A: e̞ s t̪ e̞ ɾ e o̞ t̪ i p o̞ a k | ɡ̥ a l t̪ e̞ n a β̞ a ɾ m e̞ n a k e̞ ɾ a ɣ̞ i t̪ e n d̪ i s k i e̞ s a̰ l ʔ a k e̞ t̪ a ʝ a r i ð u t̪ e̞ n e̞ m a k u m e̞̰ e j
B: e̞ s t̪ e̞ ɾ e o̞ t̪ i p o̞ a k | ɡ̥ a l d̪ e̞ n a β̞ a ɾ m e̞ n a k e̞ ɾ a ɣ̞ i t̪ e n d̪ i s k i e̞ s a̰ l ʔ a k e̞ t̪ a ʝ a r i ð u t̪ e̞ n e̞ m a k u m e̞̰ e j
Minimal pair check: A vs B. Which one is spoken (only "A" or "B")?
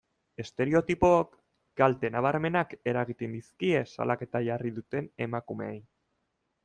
A